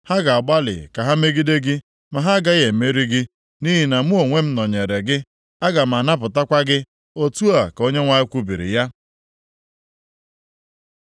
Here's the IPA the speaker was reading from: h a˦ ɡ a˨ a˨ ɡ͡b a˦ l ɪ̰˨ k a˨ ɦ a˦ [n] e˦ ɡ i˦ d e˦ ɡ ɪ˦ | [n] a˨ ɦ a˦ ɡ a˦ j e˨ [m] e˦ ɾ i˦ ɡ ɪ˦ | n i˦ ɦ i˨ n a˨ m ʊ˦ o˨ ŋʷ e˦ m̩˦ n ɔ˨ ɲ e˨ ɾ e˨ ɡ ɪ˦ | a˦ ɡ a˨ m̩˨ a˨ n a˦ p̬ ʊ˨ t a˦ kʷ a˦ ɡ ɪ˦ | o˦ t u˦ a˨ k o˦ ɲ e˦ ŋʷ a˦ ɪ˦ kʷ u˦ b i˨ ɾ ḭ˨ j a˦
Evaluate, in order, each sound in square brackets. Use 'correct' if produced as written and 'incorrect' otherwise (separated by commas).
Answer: incorrect, incorrect, correct